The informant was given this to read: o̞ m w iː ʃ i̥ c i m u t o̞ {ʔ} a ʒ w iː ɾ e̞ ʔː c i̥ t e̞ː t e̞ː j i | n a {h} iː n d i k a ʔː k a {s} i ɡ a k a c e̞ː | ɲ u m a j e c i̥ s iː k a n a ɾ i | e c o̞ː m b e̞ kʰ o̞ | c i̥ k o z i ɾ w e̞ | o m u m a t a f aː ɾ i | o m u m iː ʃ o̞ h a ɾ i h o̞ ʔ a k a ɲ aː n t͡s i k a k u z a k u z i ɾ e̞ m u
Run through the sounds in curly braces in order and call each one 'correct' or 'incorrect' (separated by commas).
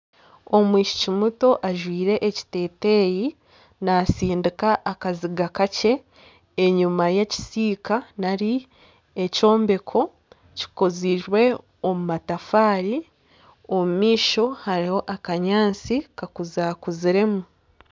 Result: correct, incorrect, incorrect